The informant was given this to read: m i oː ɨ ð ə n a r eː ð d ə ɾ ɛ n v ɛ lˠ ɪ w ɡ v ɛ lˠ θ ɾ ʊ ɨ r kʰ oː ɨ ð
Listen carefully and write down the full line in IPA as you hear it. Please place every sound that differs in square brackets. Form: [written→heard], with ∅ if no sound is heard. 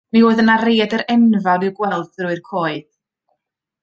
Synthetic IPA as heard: m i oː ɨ ð ə n a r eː [ð→∅] d ə ɾ ɛ n v [ɛ→a] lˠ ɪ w ɡ [v→w] ɛ lˠ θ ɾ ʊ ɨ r kʰ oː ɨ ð